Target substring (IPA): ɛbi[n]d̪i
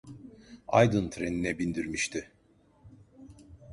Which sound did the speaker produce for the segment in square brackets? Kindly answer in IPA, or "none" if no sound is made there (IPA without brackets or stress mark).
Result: n